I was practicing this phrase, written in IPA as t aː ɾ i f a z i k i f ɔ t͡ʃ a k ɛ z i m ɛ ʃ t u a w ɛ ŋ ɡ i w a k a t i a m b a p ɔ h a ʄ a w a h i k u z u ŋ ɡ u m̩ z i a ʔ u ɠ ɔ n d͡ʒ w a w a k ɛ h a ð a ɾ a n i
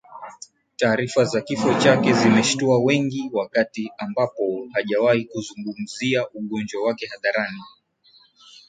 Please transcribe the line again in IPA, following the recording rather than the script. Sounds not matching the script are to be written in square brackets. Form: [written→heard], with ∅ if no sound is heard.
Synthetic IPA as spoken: t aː ɾ i f a z [i→a] k i f ɔ t͡ʃ a k ɛ z i m ɛ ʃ t u a w ɛ ŋ ɡ i w a k a t i a m b a p ɔ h a ʄ a w a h i k u z u ŋ ɡ u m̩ z i a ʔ u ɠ ɔ n d͡ʒ w a w a k ɛ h a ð a ɾ a n i